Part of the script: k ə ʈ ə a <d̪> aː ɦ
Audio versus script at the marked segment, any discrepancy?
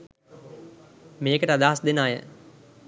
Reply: no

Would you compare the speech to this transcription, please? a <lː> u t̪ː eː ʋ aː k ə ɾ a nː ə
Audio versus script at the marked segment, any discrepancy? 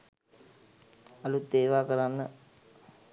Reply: yes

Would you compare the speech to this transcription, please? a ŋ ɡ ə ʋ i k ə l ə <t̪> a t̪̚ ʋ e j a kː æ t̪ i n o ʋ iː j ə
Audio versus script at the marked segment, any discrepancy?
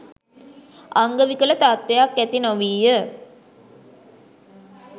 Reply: no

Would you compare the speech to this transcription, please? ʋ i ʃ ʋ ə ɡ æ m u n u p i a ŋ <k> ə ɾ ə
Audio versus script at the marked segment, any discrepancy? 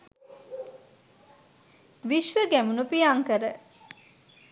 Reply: no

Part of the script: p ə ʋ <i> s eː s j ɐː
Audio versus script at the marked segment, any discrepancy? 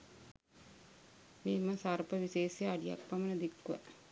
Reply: no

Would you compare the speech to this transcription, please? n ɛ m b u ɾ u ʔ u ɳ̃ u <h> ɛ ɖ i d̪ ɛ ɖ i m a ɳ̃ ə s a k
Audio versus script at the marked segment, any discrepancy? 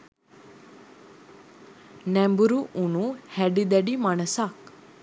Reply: no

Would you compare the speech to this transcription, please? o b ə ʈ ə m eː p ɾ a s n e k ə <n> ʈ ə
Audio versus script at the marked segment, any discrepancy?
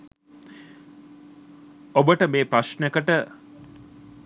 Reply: yes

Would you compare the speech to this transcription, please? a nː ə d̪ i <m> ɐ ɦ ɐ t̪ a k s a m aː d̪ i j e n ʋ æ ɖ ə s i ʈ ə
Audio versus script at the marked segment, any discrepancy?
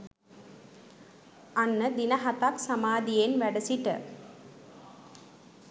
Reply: yes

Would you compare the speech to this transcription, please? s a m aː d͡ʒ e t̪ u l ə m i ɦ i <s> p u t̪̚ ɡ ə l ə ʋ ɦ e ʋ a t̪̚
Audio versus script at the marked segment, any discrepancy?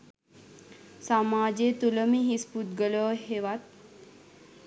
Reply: no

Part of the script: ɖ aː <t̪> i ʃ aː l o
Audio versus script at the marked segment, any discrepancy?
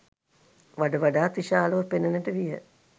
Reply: no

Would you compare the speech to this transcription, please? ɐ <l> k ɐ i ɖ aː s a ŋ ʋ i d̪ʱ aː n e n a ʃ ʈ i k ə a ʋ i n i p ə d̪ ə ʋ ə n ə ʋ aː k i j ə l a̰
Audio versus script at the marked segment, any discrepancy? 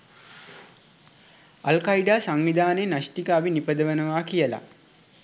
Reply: no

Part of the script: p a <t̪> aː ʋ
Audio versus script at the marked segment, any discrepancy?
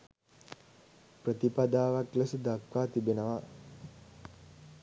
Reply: yes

